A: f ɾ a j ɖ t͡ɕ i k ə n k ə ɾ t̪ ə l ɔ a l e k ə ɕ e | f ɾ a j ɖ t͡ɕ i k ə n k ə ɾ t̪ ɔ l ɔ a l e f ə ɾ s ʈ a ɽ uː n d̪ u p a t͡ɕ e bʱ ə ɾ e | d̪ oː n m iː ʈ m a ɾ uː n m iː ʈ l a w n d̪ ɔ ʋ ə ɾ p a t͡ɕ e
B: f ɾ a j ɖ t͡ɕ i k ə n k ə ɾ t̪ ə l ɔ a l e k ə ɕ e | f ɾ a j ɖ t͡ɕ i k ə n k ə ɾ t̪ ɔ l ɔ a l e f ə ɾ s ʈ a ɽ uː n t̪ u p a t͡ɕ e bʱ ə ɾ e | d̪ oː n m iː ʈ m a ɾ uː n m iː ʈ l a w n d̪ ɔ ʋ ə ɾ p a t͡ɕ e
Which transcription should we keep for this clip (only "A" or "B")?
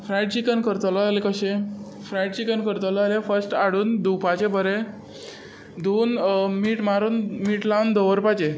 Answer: A